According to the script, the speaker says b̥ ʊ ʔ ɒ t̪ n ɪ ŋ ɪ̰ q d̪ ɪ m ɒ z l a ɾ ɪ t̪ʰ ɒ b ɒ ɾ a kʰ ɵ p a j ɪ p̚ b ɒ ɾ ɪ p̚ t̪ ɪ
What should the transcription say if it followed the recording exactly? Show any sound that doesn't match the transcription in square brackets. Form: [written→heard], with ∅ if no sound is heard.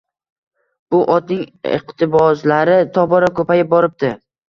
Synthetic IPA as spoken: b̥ ʊ ʔ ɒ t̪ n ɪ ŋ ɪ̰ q [d̪→t̪] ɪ [m→b] ɒ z l a ɾ ɪ t̪ʰ ɒ b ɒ ɾ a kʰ ɵ p a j ɪ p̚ b ɒ ɾ ɪ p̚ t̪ ɪ